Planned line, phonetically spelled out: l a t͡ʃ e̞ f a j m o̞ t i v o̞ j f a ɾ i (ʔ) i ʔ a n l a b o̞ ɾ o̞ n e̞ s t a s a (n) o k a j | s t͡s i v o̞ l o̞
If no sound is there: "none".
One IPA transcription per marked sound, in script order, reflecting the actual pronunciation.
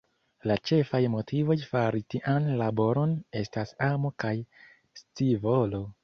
t, m

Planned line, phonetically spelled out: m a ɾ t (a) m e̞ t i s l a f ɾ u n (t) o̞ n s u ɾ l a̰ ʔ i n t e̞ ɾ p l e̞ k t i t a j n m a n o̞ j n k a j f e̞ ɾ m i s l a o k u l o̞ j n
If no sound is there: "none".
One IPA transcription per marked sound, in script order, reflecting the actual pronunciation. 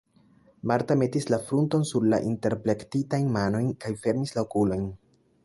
a, t

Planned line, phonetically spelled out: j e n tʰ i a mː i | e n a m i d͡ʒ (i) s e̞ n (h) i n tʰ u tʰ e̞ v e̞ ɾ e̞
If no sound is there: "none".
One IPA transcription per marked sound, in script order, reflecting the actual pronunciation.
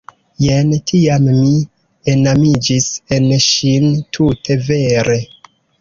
i, ʃ

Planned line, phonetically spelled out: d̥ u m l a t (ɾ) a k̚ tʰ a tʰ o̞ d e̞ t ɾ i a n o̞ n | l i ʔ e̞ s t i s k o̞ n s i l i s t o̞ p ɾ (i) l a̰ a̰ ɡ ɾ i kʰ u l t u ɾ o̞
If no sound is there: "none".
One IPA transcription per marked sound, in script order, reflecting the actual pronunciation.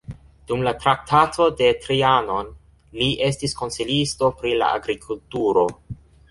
ɾ, i

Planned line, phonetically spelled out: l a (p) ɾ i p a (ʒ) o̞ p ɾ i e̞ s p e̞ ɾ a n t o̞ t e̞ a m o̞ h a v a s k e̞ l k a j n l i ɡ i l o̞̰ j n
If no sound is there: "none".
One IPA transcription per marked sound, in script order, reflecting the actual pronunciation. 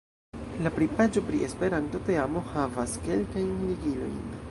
p, d͡ʒ

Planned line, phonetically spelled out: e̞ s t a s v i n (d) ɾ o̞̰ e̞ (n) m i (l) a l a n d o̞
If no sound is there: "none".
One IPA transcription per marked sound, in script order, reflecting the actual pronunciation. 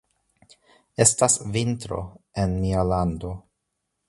t, n, none

